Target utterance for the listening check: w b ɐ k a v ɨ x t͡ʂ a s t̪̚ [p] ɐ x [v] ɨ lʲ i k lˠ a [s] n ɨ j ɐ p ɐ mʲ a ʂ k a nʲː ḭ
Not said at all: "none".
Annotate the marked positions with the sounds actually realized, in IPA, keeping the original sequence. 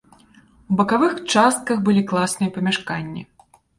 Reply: k, b, s

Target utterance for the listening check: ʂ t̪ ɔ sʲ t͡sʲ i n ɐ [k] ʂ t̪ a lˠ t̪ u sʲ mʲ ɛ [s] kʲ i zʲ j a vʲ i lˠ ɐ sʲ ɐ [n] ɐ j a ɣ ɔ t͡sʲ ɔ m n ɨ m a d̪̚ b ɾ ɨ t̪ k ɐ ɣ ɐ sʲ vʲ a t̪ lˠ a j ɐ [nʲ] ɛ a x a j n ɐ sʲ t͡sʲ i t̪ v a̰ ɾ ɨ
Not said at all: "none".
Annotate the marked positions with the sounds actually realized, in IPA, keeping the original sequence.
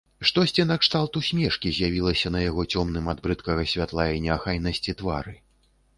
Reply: k, ʂ, n, nʲ

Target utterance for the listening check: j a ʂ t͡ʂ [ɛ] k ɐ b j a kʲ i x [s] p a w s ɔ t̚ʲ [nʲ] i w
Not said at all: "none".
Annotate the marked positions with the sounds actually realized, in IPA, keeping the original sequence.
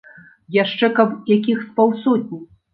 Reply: ɛ, s, nʲ

